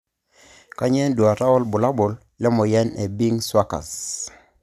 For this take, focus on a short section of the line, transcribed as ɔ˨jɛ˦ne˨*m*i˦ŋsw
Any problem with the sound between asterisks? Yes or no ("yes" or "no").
yes